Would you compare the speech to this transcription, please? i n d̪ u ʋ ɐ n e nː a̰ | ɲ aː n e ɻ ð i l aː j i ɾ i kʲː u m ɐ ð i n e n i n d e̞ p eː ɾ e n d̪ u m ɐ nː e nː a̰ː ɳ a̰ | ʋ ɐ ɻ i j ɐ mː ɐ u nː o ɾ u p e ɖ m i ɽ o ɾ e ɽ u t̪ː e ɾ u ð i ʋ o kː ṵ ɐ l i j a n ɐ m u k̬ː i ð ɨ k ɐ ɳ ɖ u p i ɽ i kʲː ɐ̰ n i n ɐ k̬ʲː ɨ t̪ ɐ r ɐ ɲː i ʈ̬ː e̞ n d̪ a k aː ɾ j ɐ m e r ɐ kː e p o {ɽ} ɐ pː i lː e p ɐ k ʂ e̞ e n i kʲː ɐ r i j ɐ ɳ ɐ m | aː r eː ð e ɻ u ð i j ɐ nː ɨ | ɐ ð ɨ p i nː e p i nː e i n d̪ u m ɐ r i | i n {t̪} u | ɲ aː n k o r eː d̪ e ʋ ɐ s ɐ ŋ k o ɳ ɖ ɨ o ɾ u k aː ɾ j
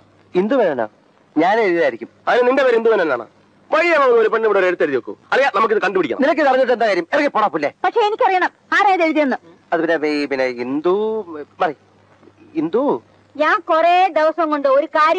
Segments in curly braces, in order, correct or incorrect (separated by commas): correct, incorrect